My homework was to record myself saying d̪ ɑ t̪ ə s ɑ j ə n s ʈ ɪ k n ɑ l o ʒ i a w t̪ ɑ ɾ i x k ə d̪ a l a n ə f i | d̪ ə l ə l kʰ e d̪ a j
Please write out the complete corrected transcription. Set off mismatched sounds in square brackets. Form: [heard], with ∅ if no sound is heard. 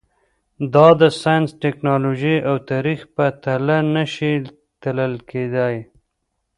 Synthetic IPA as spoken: d̪ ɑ [d̪] ə s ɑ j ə n s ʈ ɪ k n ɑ l o ʒ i a w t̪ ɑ ɾ i x [p] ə [t̪] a l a n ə [ʃ] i | [t̪] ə l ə l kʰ e d̪ a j